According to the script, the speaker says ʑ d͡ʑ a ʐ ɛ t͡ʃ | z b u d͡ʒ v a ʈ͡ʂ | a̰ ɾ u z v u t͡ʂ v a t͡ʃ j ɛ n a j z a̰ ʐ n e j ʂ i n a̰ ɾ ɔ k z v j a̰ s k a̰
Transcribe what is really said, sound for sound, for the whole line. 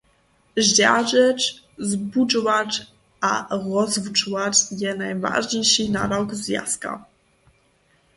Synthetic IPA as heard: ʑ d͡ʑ a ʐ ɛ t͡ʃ | z b u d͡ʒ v a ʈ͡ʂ | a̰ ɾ ɔ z v u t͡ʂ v a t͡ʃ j ɛ n a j v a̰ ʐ ɲ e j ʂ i n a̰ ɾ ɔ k z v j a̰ s k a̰